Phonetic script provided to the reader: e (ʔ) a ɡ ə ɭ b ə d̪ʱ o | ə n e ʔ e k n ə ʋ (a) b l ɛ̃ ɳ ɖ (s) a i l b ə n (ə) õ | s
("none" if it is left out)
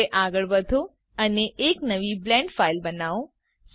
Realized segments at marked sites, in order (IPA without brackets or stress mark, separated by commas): ʔ, i, f, a